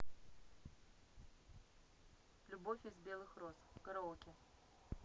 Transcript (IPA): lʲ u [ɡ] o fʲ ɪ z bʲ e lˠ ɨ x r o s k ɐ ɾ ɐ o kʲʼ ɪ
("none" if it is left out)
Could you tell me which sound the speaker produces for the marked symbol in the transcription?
b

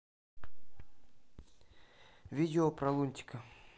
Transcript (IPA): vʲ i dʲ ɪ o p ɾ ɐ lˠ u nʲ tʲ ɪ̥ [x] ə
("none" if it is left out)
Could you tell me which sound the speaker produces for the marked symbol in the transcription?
k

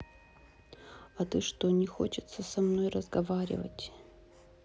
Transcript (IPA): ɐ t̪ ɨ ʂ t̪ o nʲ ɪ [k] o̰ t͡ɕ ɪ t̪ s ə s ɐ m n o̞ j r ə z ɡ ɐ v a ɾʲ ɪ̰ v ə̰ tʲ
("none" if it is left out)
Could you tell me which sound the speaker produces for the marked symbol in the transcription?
x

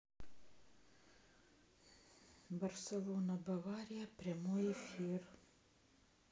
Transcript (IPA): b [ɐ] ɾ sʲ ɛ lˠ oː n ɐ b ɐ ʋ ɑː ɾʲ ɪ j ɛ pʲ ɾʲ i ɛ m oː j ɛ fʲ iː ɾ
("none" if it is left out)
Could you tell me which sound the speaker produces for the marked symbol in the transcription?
ɐ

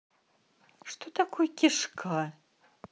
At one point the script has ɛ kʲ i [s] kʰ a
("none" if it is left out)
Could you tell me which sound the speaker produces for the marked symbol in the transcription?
ʂ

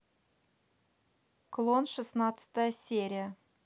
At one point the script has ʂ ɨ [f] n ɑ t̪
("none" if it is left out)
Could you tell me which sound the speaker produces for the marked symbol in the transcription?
s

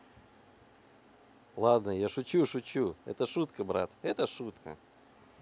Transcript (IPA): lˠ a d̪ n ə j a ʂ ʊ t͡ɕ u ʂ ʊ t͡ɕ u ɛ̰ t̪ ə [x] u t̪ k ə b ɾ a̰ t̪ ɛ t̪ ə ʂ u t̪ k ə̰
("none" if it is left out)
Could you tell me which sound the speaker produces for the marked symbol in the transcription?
ʂ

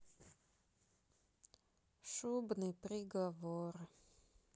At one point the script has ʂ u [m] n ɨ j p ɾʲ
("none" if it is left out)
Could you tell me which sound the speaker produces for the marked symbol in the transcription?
b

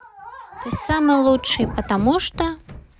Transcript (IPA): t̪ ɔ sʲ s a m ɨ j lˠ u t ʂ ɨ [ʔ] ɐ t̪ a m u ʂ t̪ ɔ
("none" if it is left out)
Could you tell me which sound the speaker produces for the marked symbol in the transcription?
p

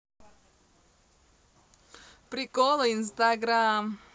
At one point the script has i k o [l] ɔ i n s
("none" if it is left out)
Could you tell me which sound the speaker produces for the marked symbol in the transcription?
l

